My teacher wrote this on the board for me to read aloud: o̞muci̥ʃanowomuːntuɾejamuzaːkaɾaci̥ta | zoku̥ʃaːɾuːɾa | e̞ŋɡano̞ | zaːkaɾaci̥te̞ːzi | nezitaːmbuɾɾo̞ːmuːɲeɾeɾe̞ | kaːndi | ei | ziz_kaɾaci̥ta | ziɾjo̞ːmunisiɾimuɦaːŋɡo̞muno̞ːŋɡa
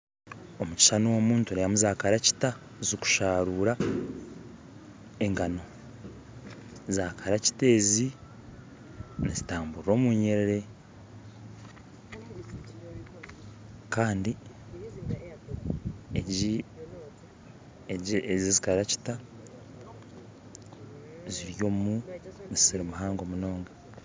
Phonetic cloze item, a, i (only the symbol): i